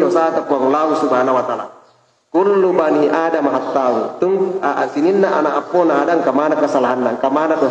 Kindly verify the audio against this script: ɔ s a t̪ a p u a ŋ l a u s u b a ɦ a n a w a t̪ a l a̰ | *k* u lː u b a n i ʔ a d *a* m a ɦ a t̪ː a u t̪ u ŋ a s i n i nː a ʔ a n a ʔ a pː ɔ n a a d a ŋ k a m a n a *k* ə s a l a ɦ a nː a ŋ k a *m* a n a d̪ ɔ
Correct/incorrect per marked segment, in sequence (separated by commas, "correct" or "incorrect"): correct, correct, correct, correct